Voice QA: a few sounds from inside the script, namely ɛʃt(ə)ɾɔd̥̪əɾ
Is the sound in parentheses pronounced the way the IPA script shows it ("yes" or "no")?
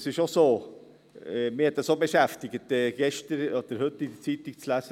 yes